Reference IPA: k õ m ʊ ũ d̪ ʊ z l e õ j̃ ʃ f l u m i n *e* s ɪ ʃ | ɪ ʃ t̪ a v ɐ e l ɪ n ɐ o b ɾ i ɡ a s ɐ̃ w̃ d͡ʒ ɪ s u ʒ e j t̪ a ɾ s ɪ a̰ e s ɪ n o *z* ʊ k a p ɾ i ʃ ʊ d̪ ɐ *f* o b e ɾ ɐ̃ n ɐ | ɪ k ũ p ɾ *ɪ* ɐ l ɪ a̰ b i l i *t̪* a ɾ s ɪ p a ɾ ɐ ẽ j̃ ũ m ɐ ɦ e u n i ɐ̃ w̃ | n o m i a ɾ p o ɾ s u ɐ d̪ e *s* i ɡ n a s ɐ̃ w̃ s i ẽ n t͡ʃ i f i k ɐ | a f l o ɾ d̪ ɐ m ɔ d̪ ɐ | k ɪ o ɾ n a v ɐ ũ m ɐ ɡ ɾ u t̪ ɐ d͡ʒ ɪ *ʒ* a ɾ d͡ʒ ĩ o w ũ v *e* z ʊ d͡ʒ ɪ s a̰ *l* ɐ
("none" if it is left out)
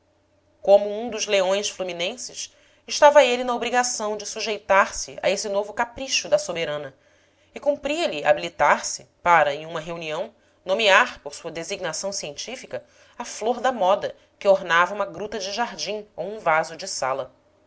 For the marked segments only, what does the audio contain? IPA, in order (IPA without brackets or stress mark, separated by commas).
ẽ, v, s, i, t̪, z, ʒ, a, l